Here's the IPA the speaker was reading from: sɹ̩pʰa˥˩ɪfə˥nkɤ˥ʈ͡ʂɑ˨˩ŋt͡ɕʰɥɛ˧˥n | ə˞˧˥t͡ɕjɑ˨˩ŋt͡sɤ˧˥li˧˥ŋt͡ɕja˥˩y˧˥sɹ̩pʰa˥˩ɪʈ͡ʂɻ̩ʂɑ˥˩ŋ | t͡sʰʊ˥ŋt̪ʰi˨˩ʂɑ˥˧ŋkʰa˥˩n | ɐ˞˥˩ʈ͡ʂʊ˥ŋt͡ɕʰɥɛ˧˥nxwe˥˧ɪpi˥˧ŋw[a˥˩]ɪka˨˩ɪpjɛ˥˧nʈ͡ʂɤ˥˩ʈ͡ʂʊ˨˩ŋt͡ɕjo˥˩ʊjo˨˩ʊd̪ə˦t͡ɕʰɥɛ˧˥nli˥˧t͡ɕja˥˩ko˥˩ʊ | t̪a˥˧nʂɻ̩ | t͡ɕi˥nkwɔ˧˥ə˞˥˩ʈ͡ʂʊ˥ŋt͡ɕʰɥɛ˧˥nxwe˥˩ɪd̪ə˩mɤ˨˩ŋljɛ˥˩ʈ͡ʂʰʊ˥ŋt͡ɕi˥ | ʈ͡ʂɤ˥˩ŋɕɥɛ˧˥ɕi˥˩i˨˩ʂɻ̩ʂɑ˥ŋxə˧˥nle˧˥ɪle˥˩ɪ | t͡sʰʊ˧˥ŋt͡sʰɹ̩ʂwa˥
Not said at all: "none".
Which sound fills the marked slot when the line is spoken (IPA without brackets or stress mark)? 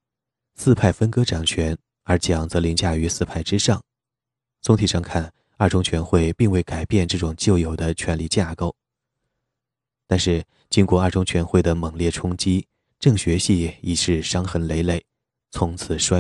e˥˩